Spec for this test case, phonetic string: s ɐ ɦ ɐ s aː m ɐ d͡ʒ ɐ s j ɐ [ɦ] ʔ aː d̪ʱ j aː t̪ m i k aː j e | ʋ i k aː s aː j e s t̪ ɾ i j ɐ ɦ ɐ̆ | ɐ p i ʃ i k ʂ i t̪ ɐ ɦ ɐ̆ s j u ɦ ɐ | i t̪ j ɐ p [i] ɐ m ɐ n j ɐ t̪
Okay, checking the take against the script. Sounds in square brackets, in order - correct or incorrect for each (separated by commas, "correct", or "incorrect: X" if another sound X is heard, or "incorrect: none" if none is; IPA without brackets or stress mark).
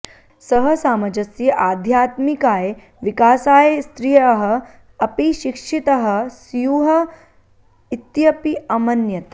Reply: incorrect: none, correct